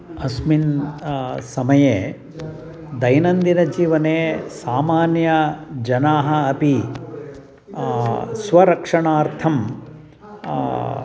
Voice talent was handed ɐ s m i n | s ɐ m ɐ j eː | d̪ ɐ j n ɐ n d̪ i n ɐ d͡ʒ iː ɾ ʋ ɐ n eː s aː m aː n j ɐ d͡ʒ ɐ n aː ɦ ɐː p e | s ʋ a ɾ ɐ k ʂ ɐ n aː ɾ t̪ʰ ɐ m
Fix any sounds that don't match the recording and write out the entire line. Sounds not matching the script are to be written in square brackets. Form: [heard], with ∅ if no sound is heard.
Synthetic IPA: ɐ s m i n | s ɐ m ɐ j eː | d̪ ɐ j n ɐ n d̪ i n ɐ d͡ʒ iː [∅] ʋ ɐ n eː s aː m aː n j ɐ d͡ʒ ɐ n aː ɦ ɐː p [i] | s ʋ [ɐ] ɾ ɐ k ʂ ɐ [ɳ] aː ɾ t̪ʰ ɐ m